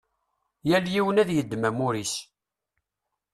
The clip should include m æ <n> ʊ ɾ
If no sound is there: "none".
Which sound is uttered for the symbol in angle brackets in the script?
m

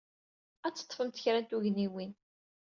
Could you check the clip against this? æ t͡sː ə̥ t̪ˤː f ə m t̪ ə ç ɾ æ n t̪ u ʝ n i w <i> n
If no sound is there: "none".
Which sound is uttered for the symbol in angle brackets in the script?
i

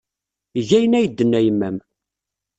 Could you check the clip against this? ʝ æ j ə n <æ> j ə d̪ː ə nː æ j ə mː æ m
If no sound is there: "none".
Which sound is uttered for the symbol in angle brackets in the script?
æ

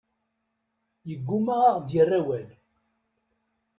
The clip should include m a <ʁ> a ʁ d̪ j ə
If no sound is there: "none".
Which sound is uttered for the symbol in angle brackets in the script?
ʁ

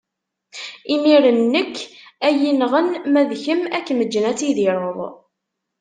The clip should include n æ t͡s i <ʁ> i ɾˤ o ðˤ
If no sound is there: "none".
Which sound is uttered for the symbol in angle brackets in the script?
ð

